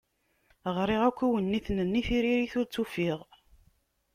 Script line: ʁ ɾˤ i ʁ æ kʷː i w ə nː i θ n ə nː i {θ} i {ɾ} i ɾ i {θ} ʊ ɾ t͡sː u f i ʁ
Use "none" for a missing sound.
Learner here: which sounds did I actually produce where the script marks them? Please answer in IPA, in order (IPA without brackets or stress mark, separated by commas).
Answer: θ, ɾ, θ